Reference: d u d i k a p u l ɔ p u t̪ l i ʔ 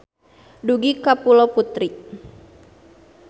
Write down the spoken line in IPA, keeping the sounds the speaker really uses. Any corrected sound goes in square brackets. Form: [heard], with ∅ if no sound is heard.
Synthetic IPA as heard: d u [ɡ] i k a p u l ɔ p u t̪ [ɾ] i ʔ